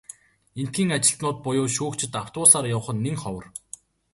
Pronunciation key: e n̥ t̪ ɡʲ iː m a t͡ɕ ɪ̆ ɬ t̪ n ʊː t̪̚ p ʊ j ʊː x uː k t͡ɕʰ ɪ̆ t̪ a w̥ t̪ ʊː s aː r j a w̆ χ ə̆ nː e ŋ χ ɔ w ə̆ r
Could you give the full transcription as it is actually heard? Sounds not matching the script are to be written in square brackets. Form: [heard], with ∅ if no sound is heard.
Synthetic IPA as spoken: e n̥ t̪ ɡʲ iː [ŋ] a t͡ɕ ɪ̆ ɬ t̪ n ʊː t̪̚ p ʊ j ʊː [ʃ] uː k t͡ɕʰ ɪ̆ t̪ a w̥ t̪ ʊː s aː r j a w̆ χ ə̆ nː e ŋ χ ɔ w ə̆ r